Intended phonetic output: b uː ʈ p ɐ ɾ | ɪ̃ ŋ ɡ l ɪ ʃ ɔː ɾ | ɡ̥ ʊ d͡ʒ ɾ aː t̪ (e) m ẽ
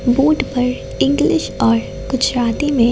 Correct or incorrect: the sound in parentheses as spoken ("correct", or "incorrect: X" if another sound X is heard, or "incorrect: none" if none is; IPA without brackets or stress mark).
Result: incorrect: i